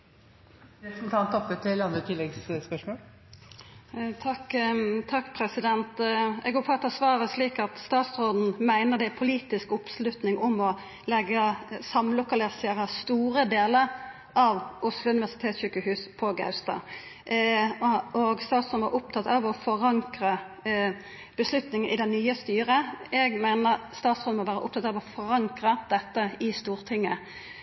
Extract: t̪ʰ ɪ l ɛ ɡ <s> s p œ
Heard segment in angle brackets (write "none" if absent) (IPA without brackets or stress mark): s